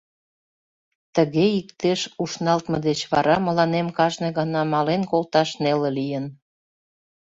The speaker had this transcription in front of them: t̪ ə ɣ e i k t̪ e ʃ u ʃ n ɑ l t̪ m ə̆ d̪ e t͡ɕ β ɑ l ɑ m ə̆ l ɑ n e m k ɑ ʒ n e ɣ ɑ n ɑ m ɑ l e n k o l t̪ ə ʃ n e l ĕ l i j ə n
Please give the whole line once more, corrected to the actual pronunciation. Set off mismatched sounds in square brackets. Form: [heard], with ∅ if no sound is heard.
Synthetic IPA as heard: t̪ ə ɣ e i k t̪ e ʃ u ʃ n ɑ l t̪ m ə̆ d̪ e t͡ɕ β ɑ [ɾ] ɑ m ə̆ l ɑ n e m k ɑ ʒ n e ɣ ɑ n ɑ m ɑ l e n k o l t̪ [ɑ] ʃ n e l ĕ l i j ə n